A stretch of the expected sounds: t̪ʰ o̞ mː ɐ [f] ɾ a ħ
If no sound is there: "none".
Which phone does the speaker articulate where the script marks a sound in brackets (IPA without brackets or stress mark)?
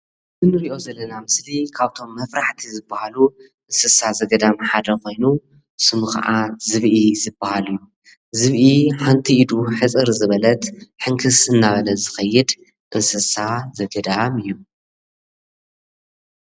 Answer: f